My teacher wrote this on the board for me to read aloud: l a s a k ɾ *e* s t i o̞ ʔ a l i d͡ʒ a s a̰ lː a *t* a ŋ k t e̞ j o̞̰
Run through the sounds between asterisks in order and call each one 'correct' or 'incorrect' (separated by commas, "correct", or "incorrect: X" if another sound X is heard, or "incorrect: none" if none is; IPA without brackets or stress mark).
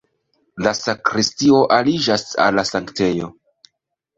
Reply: incorrect: i, incorrect: s